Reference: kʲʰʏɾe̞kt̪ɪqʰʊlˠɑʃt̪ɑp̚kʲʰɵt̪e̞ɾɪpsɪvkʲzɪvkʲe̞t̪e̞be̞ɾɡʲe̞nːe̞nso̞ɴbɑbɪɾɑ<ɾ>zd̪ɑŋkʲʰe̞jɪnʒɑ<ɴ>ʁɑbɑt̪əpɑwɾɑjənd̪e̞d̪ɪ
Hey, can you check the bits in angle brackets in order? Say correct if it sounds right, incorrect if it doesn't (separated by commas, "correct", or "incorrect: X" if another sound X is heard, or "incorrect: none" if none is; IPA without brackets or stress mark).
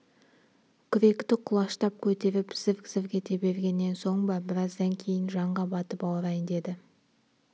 incorrect: none, correct